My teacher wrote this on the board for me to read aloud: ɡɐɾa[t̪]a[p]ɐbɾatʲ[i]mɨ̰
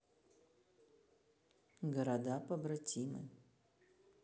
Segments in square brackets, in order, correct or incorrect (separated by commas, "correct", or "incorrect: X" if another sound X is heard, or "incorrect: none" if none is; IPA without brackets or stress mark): incorrect: d̪, correct, correct